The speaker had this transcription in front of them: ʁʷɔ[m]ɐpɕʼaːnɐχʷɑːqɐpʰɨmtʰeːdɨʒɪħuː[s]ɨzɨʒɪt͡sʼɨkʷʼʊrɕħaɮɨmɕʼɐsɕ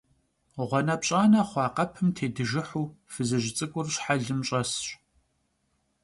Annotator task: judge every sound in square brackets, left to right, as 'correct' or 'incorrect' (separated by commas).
incorrect, incorrect